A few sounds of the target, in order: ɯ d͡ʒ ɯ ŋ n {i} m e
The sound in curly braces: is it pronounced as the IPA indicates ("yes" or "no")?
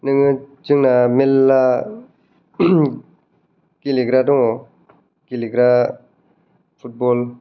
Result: no